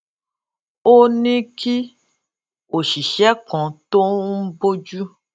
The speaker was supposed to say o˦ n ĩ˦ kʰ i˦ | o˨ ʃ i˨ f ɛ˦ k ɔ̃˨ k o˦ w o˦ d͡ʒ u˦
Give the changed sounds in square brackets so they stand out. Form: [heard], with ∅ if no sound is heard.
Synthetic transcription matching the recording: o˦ n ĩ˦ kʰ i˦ | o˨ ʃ i˨ [ʃ] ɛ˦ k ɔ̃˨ [t] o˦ [b] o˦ d͡ʒ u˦